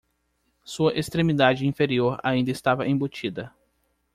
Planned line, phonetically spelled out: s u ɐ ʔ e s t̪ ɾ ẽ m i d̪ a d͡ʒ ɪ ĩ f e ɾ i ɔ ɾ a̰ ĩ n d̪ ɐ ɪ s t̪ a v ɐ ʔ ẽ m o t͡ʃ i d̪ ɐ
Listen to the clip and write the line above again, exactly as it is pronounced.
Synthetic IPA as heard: s u ɐ ʔ e s t̪ ɾ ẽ m i d̪ a d͡ʒ ɪ ĩ f e ɾ i o ɾ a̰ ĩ n d̪ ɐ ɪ s t̪ a v ɐ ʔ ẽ b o t͡ʃ i d̪ ɐ